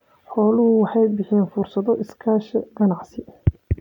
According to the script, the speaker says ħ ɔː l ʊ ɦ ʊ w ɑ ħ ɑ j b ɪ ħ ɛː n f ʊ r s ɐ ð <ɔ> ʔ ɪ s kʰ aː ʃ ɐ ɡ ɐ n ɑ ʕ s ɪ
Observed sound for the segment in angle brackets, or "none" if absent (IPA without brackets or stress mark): ɔ